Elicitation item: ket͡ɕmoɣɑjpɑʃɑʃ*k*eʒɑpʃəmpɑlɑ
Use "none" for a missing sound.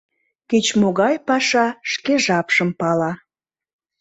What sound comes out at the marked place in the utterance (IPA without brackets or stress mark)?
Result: k